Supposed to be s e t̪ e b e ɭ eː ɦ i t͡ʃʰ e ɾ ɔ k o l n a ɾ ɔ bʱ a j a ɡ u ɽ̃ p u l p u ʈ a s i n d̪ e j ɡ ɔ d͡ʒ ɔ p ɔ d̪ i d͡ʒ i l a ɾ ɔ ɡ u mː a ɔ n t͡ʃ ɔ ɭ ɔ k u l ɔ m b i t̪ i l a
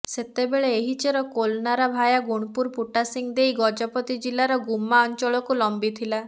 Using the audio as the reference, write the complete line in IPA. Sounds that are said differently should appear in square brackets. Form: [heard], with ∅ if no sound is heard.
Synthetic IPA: s e t̪ e b e ɭ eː ɦ i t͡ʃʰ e ɾ ɔ k o l n a ɾ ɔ bʱ a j a ɡ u ɽ̃ p u [ɾ] p u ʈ a s i [ŋ] d̪ e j ɡ ɔ d͡ʒ ɔ p ɔ [t̪] i d͡ʒ i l a ɾ ɔ ɡ u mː a ɔ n t͡ʃ ɔ ɭ ɔ k u l ɔ m b i [t̪ʰ] i l a